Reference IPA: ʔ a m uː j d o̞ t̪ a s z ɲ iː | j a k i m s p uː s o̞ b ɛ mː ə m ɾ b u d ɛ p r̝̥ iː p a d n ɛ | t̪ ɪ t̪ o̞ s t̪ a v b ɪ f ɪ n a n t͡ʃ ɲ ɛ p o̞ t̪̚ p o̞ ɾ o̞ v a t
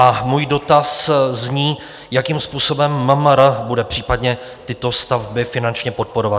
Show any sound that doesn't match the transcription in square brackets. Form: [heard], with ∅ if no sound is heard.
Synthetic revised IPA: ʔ a m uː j d o̞ t̪ a s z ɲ iː | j a k i m s p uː s o̞ b ɛ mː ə m ɾ b u d ɛ p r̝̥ iː p a d [ɲ] ɛ | t̪ ɪ t̪ o̞ s t̪ a v b ɪ f ɪ n a n t͡ʃ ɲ ɛ p o̞ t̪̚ p o̞ ɾ o̞ v a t

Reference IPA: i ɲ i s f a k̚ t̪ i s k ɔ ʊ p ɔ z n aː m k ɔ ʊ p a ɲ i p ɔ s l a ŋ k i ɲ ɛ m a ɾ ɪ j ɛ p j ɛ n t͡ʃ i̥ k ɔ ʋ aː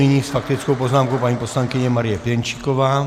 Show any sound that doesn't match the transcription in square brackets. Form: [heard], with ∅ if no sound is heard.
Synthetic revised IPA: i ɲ i s f a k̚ t̪ i [t͡s] k ɔ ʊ p ɔ z n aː m k ɔ ʊ p a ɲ i p ɔ s l a ŋ k i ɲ ɛ m a ɾ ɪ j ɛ p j ɛ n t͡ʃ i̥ k ɔ ʋ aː

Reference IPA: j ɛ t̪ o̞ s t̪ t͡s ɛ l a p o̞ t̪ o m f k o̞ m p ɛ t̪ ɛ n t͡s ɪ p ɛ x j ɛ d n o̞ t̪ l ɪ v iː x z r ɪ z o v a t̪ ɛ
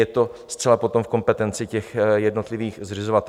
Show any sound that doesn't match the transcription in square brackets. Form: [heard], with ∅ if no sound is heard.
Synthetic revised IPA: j ɛ t̪ o̞ s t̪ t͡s ɛ l a p o̞ t̪ o m f k o̞ m p ɛ t̪ ɛ n t͡s ɪ [c] ɛ x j ɛ d n o̞ t̪ l ɪ v iː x z r ɪ z o v a t̪ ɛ

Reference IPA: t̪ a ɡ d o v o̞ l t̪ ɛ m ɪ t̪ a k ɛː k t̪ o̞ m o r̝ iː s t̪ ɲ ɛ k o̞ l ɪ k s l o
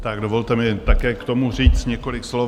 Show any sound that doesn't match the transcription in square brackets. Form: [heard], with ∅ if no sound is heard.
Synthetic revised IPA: t̪ a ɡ d o v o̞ l t̪ ɛ m ɪ t̪ a k ɛː k t̪ o̞ m [u] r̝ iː [t͡s] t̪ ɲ ɛ k o̞ l ɪ k s l o

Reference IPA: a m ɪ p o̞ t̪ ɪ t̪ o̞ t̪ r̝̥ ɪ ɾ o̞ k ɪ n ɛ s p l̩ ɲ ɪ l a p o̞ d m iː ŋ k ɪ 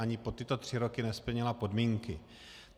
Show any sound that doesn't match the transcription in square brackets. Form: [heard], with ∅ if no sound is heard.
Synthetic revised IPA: a [ɲ] ɪ p o̞ t̪ ɪ t̪ o̞ t̪ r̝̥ ɪ ɾ o̞ k ɪ n ɛ s p l̩ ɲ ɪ l a p o̞ d m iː ŋ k ɪ

